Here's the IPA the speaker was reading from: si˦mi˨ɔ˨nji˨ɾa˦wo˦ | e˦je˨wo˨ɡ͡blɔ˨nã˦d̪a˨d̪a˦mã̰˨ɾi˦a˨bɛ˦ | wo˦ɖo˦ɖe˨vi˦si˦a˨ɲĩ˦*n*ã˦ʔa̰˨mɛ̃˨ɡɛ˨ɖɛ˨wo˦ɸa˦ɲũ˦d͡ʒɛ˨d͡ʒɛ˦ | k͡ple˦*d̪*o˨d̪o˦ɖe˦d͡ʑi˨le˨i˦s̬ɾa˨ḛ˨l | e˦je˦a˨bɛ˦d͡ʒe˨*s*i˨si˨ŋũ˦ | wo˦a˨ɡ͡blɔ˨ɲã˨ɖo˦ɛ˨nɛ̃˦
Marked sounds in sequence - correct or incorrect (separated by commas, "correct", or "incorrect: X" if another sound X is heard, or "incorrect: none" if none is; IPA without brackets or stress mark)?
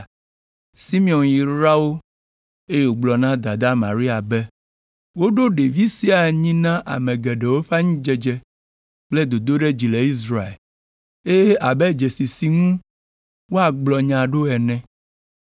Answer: correct, correct, correct